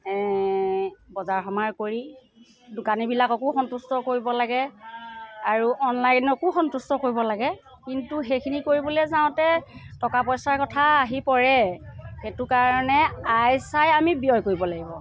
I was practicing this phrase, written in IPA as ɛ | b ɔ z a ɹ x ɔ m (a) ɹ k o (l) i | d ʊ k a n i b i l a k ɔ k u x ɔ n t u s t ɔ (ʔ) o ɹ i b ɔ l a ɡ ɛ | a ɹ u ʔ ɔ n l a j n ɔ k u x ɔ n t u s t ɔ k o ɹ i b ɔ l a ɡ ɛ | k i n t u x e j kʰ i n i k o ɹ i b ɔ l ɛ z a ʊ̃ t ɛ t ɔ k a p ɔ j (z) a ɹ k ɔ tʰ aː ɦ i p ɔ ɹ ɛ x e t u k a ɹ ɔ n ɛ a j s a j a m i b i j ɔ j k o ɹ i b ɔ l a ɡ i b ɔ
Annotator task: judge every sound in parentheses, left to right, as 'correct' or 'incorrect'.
correct, incorrect: ɹ, incorrect: k, incorrect: s

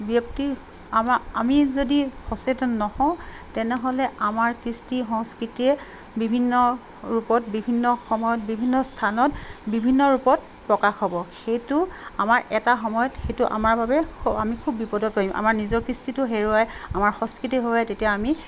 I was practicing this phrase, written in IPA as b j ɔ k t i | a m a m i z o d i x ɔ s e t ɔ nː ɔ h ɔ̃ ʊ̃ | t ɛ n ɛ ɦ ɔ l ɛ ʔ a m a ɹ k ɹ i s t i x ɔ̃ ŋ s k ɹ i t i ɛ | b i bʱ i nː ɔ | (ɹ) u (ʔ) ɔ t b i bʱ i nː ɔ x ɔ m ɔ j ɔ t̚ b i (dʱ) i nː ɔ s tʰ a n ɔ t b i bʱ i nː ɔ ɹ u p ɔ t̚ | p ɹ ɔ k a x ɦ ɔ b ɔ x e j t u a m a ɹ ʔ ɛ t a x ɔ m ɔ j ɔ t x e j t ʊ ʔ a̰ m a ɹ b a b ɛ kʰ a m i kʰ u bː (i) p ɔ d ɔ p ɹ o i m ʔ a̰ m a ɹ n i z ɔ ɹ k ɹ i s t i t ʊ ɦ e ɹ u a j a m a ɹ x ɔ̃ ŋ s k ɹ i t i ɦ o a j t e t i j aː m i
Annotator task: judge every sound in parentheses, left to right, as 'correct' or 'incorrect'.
correct, incorrect: p, incorrect: bʱ, correct

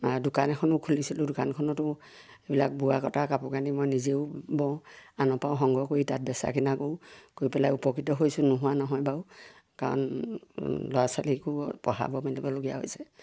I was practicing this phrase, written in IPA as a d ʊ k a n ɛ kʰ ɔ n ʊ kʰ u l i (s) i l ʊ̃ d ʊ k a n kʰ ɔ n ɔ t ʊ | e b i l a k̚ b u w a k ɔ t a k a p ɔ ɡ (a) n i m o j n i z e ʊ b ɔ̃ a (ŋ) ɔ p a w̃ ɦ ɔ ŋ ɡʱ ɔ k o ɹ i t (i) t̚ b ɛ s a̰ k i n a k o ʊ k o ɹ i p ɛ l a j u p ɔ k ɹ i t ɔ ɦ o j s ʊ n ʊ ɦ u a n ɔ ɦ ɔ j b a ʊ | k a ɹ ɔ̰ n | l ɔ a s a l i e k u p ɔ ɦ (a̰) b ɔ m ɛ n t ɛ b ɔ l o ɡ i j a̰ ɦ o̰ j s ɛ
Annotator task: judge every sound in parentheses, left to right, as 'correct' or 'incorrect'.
correct, correct, incorrect: n, incorrect: a, correct

